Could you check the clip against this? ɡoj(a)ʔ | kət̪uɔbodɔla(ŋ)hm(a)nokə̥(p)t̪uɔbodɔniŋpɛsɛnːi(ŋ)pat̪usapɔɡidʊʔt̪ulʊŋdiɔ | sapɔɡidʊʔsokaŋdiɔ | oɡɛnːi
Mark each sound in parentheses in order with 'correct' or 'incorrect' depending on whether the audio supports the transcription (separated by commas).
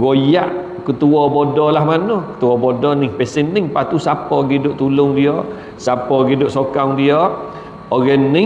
correct, incorrect, correct, incorrect, correct